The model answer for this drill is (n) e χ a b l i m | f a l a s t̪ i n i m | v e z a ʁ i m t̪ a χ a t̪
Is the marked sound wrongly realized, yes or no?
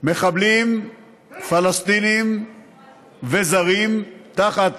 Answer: yes